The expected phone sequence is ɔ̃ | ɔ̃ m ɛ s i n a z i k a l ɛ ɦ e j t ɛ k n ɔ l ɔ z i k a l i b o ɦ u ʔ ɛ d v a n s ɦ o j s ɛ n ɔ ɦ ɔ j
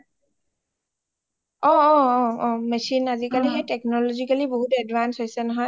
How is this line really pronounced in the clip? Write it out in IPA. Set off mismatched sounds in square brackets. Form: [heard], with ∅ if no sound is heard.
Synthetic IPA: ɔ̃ | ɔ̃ m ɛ s i n a z i k a l [i] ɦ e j t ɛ k n ɔ l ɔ z i k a l i b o ɦ u [t] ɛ d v a n s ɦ o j s ɛ n ɔ ɦ ɔ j